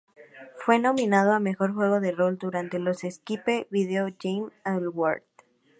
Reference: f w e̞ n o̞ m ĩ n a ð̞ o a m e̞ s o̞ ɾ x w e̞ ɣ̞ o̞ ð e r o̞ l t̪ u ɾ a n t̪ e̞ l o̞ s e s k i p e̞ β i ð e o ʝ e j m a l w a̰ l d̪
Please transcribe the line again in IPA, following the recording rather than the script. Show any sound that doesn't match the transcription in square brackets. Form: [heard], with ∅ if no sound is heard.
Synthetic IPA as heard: f w e̞ n o̞ m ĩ n a ð̞ o a m e̞ [x] o̞ ɾ x w e̞ ɣ̞ o̞ ð e r o̞ l [d̪] u ɾ a n t̪ e̞ l o̞ s e s k i p e̞ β i ð e o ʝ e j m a l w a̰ [ɾ] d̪